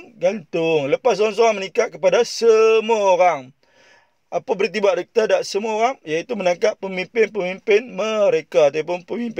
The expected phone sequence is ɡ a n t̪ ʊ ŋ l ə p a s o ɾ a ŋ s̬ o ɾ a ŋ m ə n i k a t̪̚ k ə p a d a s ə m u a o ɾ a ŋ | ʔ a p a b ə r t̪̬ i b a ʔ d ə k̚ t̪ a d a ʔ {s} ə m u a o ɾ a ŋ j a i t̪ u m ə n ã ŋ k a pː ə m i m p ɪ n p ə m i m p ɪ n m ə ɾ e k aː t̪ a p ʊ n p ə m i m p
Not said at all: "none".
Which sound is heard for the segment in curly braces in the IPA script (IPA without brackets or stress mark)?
s